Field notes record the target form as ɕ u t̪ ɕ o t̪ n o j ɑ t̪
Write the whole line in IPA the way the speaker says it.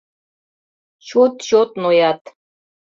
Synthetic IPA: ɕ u t̪ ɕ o t̪ n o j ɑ t̪